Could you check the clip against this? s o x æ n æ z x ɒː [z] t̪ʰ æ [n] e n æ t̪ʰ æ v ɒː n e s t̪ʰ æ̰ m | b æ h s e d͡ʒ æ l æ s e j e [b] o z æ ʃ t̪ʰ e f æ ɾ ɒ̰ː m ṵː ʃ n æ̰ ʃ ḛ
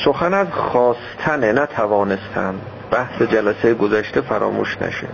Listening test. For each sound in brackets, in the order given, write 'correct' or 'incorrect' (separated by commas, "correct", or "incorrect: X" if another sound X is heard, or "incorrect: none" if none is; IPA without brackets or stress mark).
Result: incorrect: s, correct, incorrect: ɡ